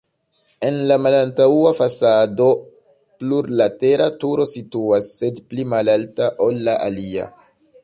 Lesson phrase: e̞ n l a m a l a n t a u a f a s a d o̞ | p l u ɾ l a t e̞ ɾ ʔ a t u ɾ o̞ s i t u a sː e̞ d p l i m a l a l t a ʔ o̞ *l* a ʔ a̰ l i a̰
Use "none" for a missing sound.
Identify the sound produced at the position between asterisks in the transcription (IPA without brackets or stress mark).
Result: lː